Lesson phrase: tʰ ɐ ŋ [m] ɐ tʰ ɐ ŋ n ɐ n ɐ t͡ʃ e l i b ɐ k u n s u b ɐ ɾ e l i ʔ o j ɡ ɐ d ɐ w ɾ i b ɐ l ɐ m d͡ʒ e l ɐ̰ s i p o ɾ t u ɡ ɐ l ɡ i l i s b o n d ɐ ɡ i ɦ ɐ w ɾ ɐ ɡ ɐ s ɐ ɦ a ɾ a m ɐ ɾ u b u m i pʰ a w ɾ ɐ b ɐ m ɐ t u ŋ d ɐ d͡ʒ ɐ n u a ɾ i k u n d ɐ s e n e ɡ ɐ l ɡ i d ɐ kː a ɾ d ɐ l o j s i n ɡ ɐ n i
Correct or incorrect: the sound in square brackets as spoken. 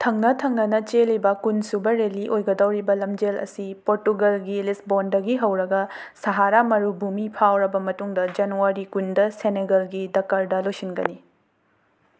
incorrect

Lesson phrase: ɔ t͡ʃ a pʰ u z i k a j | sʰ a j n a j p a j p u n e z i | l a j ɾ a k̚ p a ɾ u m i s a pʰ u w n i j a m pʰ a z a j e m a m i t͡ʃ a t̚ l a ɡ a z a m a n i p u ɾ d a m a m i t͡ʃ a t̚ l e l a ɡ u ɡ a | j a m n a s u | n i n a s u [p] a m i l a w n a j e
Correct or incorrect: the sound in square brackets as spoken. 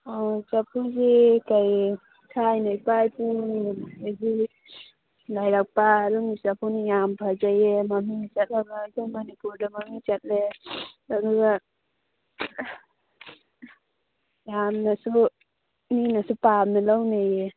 correct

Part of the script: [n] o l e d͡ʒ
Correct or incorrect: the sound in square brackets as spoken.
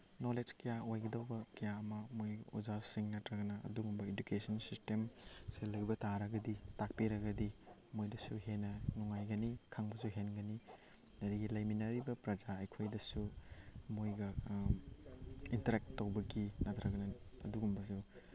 correct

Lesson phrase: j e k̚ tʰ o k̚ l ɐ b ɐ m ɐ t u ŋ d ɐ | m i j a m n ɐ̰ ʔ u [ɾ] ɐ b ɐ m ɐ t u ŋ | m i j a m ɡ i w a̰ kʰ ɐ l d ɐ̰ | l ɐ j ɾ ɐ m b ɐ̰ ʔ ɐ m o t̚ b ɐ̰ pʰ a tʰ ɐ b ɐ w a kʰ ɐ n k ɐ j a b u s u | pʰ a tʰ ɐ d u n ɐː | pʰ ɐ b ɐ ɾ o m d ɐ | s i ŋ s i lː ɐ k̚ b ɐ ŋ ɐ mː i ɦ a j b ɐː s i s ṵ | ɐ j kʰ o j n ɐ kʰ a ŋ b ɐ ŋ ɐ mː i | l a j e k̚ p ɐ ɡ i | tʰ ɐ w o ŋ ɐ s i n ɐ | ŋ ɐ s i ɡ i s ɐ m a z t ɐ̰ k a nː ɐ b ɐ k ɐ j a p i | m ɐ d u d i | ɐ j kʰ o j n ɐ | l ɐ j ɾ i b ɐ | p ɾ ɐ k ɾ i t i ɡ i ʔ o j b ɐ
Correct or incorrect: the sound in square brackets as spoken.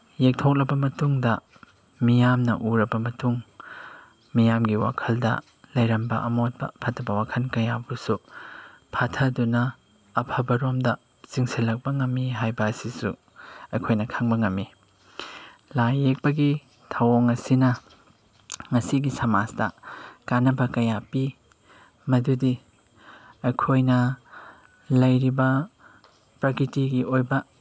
correct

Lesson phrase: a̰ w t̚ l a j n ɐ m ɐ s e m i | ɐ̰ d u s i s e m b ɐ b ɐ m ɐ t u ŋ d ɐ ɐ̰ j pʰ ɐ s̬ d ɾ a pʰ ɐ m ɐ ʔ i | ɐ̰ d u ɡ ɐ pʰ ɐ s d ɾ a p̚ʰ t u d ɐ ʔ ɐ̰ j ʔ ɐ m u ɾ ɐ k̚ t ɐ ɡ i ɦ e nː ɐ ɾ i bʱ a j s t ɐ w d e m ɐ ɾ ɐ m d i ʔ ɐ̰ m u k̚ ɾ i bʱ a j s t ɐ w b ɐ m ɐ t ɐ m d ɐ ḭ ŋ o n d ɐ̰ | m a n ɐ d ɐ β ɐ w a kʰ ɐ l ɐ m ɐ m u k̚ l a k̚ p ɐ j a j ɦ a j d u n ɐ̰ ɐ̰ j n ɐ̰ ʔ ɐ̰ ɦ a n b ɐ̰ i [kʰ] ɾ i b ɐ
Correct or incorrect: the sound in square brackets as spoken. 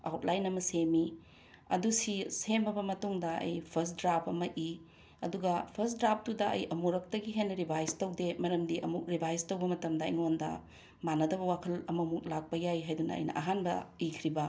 correct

